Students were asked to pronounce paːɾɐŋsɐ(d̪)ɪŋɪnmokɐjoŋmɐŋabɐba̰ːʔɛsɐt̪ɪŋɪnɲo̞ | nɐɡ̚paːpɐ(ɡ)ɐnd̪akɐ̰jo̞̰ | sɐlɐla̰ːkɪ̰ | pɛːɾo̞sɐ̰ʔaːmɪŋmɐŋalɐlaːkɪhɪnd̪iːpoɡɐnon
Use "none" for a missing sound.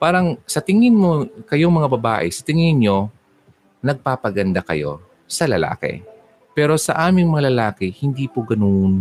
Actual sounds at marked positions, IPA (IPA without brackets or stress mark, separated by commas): t̪, ɡ